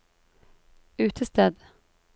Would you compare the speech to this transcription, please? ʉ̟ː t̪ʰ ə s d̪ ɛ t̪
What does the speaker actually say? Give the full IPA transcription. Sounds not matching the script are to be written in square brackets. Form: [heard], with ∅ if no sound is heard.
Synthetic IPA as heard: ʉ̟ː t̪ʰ ə s [t̪] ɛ [d̪]